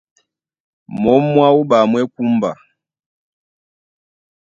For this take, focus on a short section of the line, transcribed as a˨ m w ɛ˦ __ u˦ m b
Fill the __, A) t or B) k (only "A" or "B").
B